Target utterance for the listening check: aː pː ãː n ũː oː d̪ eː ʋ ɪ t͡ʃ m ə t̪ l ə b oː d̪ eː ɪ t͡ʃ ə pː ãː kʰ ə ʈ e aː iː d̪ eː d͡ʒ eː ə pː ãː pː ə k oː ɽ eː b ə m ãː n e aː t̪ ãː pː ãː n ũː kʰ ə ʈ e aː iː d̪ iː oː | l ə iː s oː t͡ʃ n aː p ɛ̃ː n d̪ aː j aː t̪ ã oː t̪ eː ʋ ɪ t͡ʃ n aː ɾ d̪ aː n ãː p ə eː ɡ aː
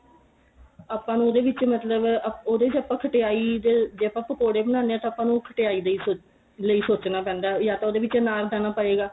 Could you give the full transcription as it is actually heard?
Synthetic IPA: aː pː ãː n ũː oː d̪ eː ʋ ɪ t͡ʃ m ə t̪ l ə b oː d̪ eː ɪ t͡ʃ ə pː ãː kʰ ə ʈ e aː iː d̪ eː d͡ʒ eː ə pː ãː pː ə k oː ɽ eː b ə n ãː n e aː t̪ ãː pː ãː n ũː kʰ ə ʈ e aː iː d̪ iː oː | l ə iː s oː t͡ʃ n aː p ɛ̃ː n d̪ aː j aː t̪ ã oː d̪ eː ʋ ɪ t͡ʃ n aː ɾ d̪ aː n aː p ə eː ɡ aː